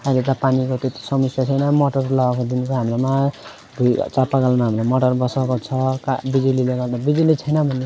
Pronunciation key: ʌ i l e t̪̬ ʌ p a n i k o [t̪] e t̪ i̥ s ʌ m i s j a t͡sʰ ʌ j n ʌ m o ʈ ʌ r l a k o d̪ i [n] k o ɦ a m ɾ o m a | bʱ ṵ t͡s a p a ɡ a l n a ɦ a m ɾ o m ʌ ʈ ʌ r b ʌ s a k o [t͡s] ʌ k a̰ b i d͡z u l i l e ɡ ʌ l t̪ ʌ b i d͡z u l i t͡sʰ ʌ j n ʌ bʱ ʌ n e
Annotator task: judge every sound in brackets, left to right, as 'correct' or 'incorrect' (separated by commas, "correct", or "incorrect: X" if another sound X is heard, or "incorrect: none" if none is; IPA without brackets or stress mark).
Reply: correct, correct, incorrect: t͡sʰ